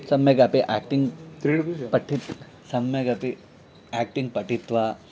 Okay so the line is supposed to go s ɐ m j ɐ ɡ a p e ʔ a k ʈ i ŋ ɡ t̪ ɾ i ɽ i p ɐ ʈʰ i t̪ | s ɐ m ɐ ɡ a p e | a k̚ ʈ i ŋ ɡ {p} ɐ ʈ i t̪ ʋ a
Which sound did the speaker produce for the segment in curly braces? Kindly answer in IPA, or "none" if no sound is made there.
p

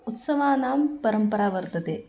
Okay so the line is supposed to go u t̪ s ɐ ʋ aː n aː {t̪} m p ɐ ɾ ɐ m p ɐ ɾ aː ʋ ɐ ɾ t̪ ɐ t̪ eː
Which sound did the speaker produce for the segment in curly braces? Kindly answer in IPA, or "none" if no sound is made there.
none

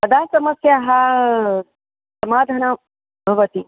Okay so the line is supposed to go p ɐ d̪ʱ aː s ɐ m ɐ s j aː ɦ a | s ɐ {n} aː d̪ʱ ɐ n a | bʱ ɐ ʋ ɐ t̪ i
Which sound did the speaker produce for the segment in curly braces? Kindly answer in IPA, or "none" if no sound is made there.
m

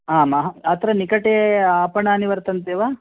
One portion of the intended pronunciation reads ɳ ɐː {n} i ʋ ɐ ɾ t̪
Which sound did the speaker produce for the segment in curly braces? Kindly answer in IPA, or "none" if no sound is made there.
n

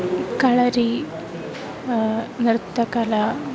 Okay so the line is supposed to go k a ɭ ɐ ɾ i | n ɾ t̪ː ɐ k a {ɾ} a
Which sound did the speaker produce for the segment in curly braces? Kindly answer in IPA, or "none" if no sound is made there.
l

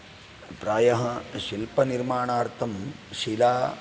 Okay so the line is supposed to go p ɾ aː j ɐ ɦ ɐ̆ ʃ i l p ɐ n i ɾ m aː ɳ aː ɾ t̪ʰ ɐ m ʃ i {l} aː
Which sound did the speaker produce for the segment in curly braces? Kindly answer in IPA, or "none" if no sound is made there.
l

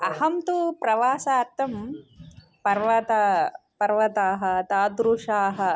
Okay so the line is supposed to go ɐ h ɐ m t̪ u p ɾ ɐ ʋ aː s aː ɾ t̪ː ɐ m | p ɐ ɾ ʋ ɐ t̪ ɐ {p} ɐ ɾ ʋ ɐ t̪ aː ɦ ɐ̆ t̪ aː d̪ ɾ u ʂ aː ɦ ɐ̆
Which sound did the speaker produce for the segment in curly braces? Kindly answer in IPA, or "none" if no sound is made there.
p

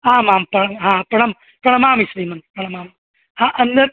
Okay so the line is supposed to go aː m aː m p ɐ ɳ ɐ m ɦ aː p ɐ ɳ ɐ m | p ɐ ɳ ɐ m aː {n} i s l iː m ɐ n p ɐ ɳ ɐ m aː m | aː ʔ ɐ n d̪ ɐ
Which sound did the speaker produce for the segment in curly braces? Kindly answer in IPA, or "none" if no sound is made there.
m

